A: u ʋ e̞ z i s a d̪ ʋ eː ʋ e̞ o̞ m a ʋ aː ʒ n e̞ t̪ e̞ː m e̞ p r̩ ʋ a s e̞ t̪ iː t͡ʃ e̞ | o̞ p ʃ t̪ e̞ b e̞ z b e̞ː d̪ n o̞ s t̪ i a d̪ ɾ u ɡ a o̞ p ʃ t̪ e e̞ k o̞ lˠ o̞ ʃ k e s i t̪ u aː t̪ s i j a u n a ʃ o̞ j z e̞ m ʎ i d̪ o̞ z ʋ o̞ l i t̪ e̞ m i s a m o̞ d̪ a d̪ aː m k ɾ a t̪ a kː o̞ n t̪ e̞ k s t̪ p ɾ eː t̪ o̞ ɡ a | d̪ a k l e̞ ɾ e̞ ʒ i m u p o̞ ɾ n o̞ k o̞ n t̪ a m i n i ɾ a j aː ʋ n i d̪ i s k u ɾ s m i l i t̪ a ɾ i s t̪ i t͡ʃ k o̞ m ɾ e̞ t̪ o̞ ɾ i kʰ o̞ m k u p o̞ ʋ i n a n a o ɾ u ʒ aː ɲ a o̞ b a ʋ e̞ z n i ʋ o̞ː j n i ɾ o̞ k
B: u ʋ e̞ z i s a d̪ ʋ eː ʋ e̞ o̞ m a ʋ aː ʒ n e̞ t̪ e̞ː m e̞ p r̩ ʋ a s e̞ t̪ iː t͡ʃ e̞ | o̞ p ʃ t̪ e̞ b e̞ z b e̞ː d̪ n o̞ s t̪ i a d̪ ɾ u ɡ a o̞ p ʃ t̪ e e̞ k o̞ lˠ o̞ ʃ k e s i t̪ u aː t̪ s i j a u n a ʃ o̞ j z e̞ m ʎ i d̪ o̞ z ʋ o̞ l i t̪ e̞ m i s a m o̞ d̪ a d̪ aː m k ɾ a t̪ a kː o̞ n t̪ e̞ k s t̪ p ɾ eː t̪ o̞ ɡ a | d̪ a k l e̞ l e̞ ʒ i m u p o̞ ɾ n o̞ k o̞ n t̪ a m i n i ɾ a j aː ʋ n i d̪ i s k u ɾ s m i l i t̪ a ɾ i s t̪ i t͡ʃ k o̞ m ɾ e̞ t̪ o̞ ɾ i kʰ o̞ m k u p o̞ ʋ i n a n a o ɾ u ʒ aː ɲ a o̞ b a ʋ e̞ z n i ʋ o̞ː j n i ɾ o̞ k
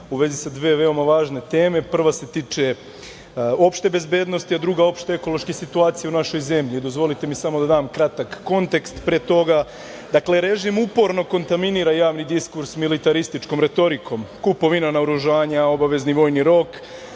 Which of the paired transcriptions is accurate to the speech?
A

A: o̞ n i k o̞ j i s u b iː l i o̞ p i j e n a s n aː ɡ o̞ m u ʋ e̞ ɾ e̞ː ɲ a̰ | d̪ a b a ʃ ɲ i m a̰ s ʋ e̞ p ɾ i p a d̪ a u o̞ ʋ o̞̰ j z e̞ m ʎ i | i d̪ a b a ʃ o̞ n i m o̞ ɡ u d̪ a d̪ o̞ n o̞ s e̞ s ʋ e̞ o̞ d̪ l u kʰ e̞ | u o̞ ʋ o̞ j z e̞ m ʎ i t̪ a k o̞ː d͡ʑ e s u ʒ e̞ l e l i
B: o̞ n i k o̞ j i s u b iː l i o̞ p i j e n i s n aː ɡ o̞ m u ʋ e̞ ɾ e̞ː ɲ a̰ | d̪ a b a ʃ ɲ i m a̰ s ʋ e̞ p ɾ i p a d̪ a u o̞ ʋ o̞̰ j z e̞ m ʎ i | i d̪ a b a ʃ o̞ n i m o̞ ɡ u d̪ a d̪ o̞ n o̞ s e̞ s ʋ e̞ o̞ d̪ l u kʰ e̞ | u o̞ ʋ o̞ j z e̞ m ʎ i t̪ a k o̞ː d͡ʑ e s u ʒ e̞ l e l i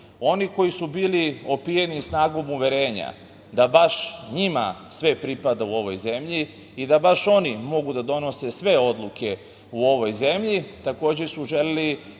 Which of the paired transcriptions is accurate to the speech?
B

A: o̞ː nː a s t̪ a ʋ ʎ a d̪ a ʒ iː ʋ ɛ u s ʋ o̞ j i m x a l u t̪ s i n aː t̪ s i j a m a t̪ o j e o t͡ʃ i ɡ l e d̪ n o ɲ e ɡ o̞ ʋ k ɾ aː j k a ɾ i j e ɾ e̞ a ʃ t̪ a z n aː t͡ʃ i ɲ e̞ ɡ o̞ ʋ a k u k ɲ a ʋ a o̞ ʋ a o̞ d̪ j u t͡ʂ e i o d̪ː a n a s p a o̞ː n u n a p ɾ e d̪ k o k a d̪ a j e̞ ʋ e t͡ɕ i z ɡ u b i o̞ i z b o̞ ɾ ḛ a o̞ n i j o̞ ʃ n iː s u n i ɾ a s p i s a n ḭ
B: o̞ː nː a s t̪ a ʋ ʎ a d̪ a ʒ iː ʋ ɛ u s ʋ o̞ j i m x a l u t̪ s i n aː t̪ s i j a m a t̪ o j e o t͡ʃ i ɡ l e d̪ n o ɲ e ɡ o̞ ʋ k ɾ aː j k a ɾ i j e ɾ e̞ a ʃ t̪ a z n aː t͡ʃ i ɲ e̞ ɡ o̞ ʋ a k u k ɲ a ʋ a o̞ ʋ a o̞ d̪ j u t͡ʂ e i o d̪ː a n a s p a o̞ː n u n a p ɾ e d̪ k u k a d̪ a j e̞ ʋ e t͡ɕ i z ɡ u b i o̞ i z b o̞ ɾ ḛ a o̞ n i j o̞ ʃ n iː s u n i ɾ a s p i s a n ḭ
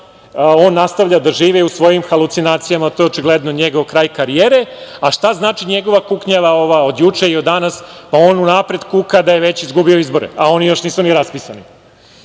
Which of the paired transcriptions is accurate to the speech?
B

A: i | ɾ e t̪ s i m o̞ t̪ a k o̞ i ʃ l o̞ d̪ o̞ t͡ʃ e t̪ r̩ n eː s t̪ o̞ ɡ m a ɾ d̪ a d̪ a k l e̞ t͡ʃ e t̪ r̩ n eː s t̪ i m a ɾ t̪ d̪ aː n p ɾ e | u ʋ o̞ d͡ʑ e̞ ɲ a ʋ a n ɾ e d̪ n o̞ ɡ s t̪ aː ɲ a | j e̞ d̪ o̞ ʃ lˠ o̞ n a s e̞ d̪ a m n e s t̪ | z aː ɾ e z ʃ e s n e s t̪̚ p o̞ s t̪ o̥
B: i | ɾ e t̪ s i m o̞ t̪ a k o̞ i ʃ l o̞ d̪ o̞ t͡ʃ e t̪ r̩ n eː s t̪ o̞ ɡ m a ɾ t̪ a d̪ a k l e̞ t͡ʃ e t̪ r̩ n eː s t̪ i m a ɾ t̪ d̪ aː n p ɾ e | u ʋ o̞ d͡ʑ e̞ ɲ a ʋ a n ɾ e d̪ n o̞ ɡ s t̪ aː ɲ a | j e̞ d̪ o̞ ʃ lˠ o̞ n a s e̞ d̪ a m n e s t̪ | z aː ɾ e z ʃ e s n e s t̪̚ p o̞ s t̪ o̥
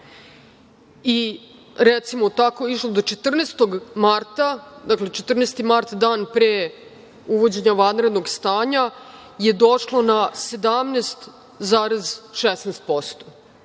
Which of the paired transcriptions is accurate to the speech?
B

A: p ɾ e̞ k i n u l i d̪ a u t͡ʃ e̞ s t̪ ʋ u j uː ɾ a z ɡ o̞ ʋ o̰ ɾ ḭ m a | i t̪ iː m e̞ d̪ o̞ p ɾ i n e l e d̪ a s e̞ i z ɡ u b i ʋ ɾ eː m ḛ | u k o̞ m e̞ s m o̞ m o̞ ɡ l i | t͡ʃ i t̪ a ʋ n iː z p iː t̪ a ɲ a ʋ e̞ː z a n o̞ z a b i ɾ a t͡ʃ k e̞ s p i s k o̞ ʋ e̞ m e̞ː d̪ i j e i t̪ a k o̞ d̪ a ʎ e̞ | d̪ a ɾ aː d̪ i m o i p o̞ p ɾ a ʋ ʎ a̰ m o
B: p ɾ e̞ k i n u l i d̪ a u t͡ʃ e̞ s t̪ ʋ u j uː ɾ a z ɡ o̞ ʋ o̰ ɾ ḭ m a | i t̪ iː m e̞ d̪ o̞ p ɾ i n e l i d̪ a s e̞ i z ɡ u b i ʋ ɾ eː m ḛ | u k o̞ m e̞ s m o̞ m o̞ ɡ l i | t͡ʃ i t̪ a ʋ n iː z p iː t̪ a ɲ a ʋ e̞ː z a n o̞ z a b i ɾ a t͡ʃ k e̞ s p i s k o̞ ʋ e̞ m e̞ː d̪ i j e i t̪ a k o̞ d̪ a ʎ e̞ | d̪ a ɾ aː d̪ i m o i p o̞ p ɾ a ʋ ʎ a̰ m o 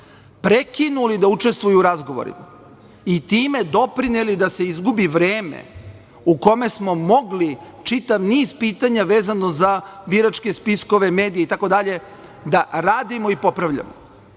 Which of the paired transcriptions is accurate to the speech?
B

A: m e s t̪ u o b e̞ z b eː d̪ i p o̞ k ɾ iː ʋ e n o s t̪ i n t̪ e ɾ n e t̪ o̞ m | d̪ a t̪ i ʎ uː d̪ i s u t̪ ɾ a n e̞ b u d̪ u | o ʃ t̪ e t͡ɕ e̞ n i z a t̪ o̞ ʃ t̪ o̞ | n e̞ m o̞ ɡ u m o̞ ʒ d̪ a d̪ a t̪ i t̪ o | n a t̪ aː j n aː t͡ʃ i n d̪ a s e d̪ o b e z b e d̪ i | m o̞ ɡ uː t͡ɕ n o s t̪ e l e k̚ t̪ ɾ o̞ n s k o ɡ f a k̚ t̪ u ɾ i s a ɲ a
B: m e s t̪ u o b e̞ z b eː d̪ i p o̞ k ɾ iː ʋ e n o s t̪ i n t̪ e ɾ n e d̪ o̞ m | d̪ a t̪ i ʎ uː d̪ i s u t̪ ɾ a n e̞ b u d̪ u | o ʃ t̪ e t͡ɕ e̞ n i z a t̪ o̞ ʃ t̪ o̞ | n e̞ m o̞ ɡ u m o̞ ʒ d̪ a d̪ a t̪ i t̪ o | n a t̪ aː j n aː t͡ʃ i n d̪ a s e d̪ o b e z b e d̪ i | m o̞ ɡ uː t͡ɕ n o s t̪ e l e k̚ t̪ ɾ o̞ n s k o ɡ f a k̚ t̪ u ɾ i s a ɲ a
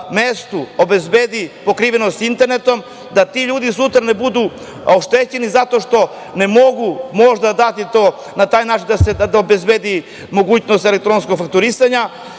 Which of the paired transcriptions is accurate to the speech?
A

